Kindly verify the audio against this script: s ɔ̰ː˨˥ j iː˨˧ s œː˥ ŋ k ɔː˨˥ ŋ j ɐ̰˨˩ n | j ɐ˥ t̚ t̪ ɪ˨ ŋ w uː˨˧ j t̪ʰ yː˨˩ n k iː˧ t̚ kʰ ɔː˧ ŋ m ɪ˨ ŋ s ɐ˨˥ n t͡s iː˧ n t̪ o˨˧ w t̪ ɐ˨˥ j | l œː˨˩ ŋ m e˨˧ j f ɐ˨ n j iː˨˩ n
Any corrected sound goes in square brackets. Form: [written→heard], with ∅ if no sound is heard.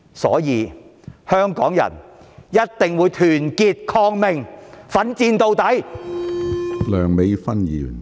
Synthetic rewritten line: s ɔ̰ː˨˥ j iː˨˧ [s→h] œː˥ ŋ k ɔː˨˥ ŋ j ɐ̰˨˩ n | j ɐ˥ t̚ t̪ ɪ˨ ŋ w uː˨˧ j t̪ʰ yː˨˩ n k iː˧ t̚ kʰ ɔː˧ ŋ m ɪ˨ ŋ [s→f] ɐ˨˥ n t͡s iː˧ n t̪ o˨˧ w t̪ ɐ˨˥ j | l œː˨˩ ŋ m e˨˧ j f [ɐ˨→ɐ˥] n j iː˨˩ n